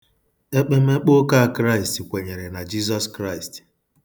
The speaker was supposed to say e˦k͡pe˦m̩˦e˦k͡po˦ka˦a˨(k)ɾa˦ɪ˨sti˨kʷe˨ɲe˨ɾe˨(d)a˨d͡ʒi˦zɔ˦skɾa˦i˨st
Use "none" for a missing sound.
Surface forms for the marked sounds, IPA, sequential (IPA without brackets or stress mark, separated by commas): k, n